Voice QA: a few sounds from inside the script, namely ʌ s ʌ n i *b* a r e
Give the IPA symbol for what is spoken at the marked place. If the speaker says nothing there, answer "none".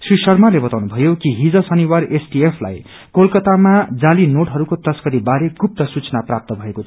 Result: w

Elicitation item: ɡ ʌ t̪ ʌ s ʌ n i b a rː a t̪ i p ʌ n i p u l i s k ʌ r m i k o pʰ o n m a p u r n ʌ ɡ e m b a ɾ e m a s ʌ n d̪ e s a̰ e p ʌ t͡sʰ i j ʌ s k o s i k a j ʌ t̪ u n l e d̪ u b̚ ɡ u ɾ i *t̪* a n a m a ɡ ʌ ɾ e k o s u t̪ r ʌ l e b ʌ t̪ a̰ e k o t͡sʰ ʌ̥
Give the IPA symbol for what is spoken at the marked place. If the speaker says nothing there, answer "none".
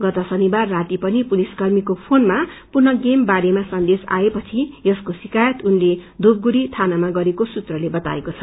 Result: t̪ʰ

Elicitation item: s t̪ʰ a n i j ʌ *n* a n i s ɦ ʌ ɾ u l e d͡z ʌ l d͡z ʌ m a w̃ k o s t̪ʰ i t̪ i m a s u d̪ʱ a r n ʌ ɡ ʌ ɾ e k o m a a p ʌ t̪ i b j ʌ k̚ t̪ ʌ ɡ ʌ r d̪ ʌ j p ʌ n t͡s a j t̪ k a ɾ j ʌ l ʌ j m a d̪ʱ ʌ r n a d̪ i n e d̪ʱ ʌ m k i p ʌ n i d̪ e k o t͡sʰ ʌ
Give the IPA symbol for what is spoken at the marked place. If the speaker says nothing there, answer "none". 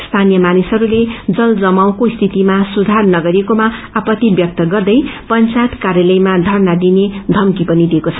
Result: m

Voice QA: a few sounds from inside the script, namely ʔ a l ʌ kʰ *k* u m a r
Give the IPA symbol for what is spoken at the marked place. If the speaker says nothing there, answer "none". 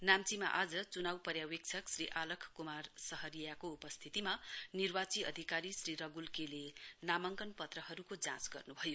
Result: k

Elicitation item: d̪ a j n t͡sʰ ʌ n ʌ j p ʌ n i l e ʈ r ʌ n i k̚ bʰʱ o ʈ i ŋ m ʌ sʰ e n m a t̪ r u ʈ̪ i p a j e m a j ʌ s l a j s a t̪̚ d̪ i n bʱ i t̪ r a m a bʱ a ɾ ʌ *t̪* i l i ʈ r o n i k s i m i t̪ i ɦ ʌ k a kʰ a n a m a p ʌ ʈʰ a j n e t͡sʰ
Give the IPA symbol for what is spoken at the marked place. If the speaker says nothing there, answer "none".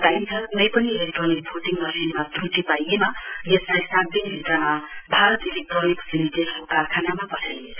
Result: t̪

